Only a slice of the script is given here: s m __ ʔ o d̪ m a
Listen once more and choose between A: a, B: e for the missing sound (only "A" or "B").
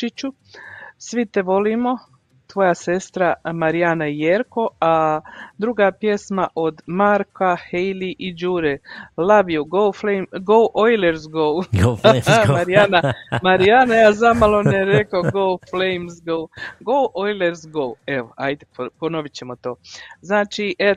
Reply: A